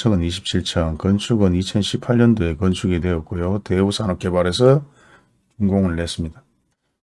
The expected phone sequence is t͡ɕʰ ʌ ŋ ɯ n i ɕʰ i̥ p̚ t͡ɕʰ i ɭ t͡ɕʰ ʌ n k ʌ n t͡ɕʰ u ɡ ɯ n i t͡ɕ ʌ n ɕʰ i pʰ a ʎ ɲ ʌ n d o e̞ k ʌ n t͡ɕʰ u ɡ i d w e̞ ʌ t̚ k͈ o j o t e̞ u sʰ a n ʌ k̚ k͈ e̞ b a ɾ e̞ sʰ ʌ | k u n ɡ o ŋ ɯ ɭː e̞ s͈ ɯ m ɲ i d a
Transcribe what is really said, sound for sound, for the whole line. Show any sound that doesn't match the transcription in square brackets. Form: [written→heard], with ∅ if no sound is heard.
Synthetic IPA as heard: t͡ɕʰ ʌ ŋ ɯ n i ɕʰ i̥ p̚ t͡ɕʰ i ɭ t͡ɕʰ ʌ n k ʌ n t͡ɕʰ u ɡ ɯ n i [t͡ɕ→t͡ɕʰ] ʌ n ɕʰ i pʰ a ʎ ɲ ʌ n d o e̞ k ʌ n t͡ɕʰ u ɡ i d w e̞ ʌ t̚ k͈ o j o t e̞ u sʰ a n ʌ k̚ k͈ e̞ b a ɾ e̞ sʰ ʌ | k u [n→ŋ] ɡ o ŋ ɯ ɭː e̞ s͈ ɯ m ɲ i d a